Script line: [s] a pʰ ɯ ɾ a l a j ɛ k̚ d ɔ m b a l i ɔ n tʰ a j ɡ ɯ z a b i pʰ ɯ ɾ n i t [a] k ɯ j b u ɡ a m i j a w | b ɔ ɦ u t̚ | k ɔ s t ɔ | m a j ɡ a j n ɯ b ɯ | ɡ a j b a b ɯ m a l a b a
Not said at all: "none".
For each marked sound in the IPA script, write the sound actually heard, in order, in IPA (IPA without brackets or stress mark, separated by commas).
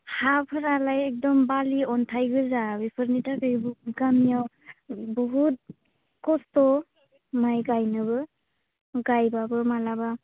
h, a